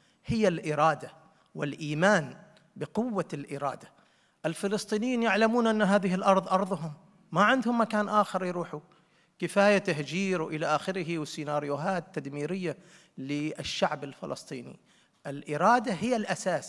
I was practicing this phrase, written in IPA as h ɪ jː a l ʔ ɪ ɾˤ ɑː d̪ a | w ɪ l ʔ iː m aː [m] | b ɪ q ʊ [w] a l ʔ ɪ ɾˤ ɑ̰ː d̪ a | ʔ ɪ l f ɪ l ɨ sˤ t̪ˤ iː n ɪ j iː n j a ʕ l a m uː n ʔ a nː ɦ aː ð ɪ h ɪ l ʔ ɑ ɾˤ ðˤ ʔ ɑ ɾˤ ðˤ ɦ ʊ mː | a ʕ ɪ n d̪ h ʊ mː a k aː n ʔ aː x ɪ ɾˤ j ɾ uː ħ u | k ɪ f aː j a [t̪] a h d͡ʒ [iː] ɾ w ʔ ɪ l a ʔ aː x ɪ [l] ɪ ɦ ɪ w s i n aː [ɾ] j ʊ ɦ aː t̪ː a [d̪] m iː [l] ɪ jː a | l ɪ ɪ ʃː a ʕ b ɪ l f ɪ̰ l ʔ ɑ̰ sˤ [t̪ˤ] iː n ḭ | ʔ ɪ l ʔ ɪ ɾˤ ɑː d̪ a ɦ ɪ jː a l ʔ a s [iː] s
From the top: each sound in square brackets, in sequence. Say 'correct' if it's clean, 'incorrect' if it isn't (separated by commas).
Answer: incorrect, incorrect, correct, correct, incorrect, correct, correct, incorrect, correct, incorrect